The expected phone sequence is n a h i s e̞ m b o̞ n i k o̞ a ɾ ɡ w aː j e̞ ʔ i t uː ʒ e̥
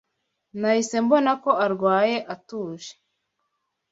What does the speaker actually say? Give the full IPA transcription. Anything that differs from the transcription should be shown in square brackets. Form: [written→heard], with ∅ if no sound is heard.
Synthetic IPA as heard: n a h i s e̞ m b o̞ n [i→a] k o̞ a ɾ ɡ w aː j e̞ ʔ [i→a] t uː ʒ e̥

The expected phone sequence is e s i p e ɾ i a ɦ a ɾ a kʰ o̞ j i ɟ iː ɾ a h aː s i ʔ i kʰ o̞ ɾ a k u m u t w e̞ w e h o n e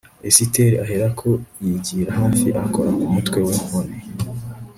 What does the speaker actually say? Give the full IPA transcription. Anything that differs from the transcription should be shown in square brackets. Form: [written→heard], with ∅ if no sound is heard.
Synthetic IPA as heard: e s i [p→t] e ɾ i a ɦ [a→e] ɾ a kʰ o̞ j i ɟ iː ɾ a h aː [s→f] i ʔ [i→a] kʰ o̞ ɾ a k u m u t w e̞ w e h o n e

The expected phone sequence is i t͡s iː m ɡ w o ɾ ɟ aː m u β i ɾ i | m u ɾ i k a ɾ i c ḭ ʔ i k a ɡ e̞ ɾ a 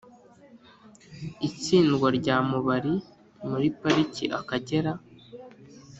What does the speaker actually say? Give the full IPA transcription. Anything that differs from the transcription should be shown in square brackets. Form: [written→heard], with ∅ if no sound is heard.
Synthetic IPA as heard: i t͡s iː [m→n] ɡ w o ɾ ɟ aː m u β [i→a] ɾ i | m u ɾ i [k→p] a ɾ i c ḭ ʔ [i→a] k a [ɡ→ɟ] e̞ ɾ a

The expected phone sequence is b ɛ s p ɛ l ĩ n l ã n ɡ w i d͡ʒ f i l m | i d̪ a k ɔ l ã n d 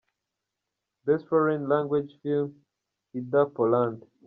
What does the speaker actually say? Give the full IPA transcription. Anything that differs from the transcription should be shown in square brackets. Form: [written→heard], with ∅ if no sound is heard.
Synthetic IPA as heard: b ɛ s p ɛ [l→ɹ] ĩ n l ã [n→ŋ] ɡ w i d͡ʒ f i l m | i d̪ a [k→p] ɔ l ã n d

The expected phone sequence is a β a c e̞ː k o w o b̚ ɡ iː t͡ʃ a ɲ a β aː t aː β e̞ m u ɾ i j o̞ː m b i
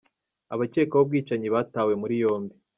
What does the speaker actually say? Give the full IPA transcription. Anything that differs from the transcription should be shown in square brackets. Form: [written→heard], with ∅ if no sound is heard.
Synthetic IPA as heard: a β a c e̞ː k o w o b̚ ɡ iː t͡ʃ a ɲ [a→i] β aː t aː [β→w] e̞ m u ɾ i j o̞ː m b i

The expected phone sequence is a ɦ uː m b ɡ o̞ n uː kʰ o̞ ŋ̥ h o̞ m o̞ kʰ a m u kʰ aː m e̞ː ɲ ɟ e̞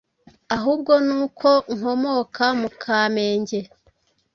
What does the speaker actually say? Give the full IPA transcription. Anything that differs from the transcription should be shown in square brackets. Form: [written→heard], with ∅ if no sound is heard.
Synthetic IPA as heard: a ɦ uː [m→∅] b ɡ o̞ n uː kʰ o̞ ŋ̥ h o̞ m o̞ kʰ a m u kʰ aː m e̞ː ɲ ɟ e̞

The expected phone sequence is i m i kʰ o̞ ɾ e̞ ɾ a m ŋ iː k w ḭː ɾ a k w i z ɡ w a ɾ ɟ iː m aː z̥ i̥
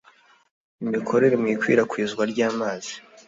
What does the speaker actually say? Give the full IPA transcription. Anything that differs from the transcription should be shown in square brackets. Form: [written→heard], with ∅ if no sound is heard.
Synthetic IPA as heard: i m i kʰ o̞ ɾ e̞ ɾ [a→e] m ŋ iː k w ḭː ɾ a k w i z ɡ w a ɾ ɟ [iː→aː] m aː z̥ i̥

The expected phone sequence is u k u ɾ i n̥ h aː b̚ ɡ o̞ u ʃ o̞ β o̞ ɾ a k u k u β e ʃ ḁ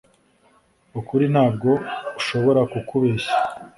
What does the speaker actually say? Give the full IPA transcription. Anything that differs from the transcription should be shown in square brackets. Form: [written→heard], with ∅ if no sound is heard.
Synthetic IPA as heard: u k u ɾ i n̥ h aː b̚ ɡ o̞ u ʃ o̞ β o̞ ɾ a k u k u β e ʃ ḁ

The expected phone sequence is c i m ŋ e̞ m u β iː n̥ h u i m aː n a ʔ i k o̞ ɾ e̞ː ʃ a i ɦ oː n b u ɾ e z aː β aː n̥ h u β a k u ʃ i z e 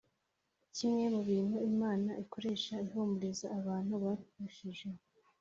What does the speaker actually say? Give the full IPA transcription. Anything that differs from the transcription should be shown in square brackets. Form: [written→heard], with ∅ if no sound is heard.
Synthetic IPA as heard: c i m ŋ e̞ m u β iː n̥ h u i m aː n a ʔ i k o̞ ɾ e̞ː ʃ a i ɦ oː [n→m] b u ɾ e z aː β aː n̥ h u β a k u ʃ i [z→ʒ] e

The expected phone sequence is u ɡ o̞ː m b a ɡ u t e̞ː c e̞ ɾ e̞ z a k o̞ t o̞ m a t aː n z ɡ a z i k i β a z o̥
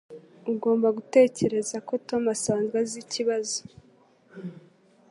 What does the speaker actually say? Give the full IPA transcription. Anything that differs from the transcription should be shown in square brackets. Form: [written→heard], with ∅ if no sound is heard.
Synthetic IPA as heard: u ɡ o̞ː m b a ɡ u t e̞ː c e̞ ɾ e̞ z a k o̞ t o̞ m a [t→s] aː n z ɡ a z i [k→c] i β a z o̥

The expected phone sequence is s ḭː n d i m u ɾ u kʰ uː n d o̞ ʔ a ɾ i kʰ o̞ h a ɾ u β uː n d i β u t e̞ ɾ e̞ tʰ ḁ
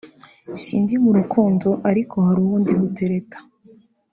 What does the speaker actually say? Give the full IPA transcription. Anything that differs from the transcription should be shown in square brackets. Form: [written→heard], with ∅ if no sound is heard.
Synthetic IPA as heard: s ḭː n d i m u ɾ u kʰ uː n d o̞ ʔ a ɾ i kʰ o̞ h a ɾ u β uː n d i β u t e̞ ɾ e̞ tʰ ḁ

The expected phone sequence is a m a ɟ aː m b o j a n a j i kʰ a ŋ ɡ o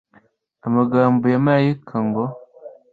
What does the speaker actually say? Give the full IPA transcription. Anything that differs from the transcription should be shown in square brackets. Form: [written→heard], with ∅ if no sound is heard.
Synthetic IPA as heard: a m a [ɟ→ɡ] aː m b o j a [n→m] a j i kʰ a ŋ ɡ o

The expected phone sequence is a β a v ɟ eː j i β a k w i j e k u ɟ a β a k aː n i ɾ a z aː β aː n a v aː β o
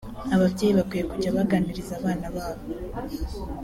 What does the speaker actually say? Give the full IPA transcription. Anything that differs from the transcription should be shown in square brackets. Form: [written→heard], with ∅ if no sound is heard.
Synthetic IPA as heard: a β a v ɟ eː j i β a k w i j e k u ɟ a β a [k→ɡ] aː n i ɾ [a→i] z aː β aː n a [v→β] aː β o

